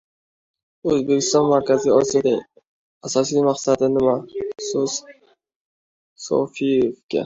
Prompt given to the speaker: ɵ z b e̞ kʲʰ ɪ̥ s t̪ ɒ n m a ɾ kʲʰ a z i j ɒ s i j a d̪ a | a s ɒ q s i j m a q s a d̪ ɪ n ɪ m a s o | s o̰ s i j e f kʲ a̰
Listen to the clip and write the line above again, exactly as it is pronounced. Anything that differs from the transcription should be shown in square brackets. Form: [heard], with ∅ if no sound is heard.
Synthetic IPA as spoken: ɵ z b e̞ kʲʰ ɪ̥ s t̪ ɒ n m a ɾ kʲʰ a z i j ɒ s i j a d̪ a | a s ɒ [∅] s i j m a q s a d̪ ɪ n ɪ m a s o | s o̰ [f] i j e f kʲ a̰